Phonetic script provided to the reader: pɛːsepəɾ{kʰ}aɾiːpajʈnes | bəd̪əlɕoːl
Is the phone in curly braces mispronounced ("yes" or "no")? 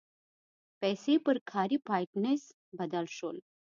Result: no